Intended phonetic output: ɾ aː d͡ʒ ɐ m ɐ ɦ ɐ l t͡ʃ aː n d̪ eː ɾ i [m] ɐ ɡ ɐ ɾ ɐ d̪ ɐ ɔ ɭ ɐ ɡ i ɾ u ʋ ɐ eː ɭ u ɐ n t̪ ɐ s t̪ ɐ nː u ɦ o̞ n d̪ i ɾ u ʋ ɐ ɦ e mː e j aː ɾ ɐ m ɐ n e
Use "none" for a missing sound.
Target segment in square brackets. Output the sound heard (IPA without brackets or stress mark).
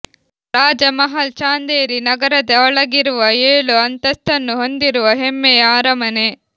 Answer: n